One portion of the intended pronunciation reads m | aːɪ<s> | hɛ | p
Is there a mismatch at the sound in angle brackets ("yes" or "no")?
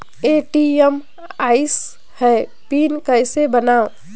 no